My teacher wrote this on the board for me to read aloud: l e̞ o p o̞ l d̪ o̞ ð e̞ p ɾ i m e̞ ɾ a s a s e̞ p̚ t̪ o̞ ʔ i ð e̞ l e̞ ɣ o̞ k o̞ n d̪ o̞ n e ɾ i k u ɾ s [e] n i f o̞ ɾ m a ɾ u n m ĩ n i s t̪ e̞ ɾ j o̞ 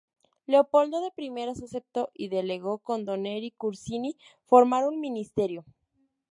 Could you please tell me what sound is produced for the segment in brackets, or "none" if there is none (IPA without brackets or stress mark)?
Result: i